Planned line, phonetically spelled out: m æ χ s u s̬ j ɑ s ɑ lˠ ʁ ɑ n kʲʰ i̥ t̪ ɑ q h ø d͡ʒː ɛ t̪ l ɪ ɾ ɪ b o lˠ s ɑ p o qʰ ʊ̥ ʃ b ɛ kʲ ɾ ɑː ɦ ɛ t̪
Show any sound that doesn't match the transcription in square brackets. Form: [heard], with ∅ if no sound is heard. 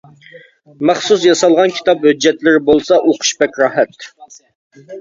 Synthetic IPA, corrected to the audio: m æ χ s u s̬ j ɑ s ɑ lˠ ʁ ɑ n kʲʰ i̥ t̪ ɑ [p] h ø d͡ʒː ɛ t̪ l ɪ ɾ ɪ b o lˠ s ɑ [ʔ] o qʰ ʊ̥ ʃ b ɛ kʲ ɾ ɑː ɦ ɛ t̪